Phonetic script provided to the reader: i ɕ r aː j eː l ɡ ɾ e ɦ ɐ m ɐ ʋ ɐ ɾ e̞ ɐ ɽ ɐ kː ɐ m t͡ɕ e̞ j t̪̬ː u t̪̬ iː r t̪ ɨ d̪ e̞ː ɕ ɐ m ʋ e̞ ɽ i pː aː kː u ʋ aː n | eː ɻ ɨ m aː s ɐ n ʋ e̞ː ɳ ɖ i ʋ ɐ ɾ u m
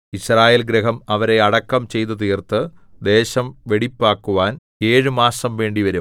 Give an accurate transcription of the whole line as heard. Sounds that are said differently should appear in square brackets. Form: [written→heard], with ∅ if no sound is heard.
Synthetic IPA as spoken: i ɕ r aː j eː l ɡ ɾ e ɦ ɐ m ɐ ʋ ɐ ɾ e̞ ɐ ɽ ɐ kː ɐ m t͡ɕ e̞ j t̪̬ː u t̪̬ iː r t̪ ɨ d̪ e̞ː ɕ ɐ m ʋ e̞ ɽ i pː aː kː u ʋ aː n | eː ɻ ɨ m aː s ɐ [n→m] ʋ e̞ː ɳ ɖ i ʋ ɐ ɾ u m